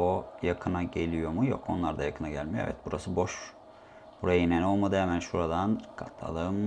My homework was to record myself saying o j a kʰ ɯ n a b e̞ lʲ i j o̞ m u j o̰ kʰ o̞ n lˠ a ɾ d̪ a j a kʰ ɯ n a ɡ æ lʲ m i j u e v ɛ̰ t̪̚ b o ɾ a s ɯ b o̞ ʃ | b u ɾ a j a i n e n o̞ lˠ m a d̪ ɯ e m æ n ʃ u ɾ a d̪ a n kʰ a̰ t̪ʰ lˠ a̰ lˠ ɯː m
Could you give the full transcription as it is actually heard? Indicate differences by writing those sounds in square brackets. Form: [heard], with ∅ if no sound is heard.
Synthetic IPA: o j a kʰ ɯ n a [ɟ] e̞ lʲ i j o̞ m u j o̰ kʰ o̞ n lˠ a ɾ d̪ a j a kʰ ɯ n a [ɟ] æ lʲ m i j [o] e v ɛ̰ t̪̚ b [u] ɾ a s ɯ b o̞ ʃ | b u ɾ a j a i n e n o̞ lˠ m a d̪ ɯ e m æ n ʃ u ɾ a d̪ a n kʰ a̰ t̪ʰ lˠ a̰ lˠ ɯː m